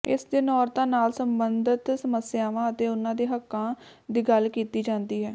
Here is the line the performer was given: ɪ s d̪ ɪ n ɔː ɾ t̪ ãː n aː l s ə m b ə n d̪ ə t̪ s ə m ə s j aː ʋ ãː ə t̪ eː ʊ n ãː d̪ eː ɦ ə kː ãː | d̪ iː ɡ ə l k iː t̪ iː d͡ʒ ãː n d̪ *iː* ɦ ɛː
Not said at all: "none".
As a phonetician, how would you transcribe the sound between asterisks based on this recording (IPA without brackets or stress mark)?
iː